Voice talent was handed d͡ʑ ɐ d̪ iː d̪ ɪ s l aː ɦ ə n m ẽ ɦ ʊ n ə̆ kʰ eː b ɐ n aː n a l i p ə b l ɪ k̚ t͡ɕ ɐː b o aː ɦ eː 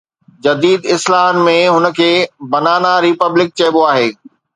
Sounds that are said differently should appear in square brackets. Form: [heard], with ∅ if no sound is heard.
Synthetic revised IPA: d͡ʑ ɐ d̪ iː d̪ ɪ s l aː ɦ ə n m ẽ ɦ ʊ n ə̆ kʰ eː b ɐ n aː n a [ɾ] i p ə b l ɪ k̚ t͡ɕ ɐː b o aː ɦ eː